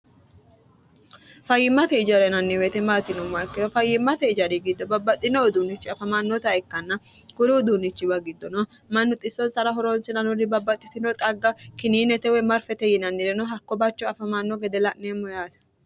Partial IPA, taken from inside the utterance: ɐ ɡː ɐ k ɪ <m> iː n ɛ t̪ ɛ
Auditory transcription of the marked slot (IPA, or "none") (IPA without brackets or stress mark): n